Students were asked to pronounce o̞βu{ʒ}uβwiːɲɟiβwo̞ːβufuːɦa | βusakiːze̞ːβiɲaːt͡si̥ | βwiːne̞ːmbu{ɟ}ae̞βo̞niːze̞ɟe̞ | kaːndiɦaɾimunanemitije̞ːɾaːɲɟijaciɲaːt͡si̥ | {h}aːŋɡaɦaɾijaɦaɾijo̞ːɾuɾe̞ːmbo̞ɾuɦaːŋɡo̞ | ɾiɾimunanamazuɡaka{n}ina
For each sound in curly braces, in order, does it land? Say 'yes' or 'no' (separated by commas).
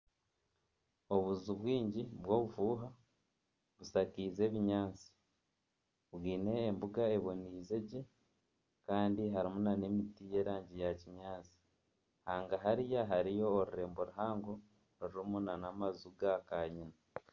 no, no, yes, no